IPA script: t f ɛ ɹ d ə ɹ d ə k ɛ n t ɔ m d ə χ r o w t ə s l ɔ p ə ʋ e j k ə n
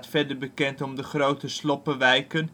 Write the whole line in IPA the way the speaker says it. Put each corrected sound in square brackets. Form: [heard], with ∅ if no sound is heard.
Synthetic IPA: t f ɛ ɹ d ə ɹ [b] ə k ɛ n t ɔ m d ə χ r o w t ə s l ɔ p ə ʋ [ɛ] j k ə n